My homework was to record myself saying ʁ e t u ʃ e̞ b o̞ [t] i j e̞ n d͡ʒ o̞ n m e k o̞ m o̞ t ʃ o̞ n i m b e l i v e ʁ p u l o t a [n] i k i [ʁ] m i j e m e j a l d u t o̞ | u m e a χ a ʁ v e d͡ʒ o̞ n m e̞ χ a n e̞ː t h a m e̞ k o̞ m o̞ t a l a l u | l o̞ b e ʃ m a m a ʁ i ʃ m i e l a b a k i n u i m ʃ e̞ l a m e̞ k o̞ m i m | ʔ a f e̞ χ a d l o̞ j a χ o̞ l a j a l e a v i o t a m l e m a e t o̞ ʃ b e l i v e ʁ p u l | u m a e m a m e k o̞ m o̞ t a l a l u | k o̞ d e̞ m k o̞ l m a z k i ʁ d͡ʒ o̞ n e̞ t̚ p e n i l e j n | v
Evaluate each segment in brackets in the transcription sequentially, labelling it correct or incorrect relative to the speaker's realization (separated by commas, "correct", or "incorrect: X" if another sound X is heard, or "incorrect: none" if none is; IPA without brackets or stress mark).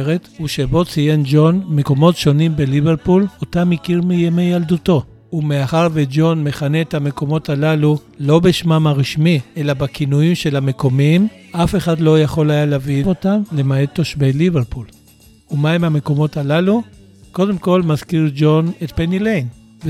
incorrect: t͡s, incorrect: m, correct